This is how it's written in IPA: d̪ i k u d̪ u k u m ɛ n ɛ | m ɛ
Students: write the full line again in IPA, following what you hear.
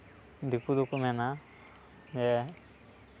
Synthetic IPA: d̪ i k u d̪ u k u m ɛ n a | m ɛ